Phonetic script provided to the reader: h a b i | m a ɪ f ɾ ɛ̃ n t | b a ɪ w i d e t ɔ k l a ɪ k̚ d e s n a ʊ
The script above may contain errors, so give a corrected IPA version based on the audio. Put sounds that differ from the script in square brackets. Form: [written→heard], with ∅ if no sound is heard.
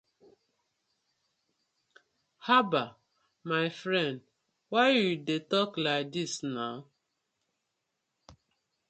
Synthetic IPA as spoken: h a b [i→a] | m a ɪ f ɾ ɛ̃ n [t→d] | [b→w] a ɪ w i d e t ɔ k l a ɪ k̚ d [e→i] s n a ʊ